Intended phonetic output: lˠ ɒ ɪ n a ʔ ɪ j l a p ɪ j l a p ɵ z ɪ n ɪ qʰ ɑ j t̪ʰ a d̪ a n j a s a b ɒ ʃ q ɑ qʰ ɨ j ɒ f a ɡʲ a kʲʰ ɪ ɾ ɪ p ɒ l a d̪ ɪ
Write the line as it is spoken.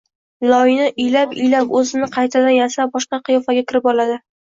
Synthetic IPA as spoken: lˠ ɒ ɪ n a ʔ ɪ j l a p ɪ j l a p ɵ z ɪ n ɪ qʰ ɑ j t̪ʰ a d̪ a n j a s a b ɒ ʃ q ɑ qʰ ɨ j ɒ f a ɡʲ a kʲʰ ɪ ɾ ɪ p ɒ l a d̪ ɪ